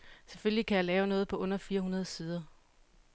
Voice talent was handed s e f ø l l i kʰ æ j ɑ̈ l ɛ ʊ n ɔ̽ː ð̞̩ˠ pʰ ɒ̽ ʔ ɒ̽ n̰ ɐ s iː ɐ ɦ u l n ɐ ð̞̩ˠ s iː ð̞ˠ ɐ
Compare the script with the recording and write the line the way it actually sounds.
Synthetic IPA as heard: s e f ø l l i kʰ æ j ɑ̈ l ɛː ʊ n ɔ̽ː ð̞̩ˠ pʰ ɒ̽ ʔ ɔ̽ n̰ ɐ f iː ɐ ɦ u n ɐ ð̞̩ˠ s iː ð̞ˠ ɐ